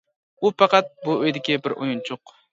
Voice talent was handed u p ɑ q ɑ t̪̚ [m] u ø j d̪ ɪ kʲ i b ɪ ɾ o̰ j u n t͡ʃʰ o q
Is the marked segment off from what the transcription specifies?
yes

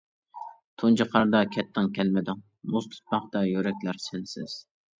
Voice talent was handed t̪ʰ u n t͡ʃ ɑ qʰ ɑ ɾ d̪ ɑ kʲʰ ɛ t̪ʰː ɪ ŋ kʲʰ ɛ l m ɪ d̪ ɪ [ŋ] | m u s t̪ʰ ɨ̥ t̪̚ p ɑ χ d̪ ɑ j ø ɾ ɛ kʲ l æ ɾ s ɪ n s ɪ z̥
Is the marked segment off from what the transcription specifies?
no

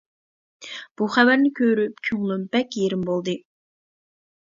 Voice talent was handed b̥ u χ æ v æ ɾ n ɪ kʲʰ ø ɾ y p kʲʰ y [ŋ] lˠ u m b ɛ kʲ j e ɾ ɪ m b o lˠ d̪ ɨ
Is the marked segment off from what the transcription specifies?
no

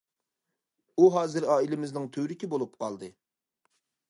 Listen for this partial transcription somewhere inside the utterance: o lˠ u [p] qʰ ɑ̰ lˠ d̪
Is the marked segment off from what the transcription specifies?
no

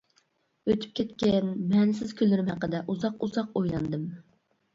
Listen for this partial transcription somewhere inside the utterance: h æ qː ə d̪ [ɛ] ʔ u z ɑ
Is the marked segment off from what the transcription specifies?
no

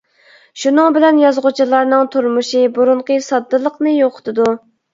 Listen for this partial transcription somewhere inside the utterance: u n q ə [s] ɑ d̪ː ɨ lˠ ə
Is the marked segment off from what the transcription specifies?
no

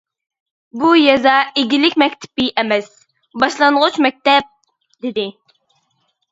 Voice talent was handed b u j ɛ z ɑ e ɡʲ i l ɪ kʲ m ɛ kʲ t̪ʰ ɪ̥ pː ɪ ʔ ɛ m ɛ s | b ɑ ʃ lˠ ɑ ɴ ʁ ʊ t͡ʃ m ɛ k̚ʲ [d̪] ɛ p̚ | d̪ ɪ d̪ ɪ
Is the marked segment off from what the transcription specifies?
yes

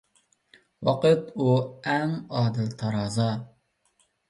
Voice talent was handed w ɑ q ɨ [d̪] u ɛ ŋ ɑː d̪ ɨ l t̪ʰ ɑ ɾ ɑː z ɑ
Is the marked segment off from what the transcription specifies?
yes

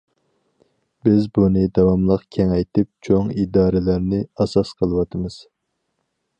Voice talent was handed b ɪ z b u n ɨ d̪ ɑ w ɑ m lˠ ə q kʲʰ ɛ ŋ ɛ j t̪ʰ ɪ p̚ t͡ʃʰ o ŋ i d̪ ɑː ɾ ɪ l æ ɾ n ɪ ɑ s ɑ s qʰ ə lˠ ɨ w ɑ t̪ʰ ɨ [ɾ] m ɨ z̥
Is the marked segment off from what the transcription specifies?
yes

